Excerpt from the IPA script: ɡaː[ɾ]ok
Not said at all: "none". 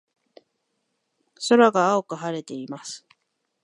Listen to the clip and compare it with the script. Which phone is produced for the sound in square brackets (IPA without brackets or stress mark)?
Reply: none